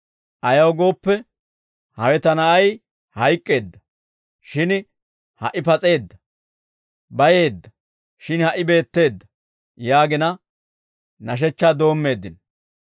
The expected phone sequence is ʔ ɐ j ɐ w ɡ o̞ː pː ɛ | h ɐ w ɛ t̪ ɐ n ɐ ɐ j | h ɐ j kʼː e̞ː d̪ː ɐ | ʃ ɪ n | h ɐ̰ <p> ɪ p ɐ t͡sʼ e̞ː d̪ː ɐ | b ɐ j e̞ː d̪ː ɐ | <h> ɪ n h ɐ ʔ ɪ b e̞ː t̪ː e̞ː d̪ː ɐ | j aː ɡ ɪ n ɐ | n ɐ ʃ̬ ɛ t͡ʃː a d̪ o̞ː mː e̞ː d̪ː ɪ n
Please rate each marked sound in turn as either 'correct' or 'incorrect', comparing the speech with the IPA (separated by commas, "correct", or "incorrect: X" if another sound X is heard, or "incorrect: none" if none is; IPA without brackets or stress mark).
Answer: incorrect: ʔ, incorrect: ʃ